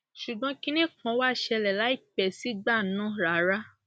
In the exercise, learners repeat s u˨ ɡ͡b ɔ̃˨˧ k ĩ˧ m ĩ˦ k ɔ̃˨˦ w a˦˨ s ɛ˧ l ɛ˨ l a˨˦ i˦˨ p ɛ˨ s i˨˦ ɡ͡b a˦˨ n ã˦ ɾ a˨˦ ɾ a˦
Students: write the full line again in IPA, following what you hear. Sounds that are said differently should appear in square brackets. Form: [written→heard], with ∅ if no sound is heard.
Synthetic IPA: [s→ʃ] u˨ ɡ͡b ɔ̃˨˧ k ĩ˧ [m→n] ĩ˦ k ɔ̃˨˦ w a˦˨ [s→ʃ] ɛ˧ l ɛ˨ l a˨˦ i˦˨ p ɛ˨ s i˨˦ ɡ͡b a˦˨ n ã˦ ɾ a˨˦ ɾ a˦